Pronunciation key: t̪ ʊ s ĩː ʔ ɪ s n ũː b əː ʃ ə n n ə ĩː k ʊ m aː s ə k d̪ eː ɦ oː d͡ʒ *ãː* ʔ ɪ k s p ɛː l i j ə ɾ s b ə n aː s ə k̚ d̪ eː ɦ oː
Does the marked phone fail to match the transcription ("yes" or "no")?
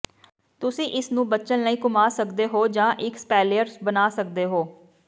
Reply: no